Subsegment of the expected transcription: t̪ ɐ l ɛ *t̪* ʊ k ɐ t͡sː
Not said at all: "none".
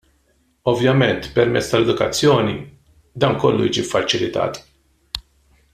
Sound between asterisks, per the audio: d̪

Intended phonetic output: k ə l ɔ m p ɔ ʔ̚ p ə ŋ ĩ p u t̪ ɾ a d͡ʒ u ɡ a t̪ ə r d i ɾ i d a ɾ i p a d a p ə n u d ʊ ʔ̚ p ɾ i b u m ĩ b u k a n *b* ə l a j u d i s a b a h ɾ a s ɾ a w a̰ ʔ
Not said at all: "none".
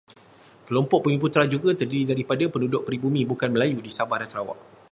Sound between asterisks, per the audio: m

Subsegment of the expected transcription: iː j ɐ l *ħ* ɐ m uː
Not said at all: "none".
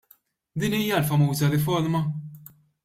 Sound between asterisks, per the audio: f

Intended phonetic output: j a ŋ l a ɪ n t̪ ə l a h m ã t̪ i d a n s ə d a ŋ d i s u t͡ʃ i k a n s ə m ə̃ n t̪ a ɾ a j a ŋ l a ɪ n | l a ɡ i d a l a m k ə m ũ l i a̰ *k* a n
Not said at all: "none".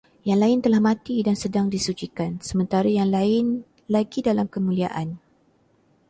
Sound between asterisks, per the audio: ʔ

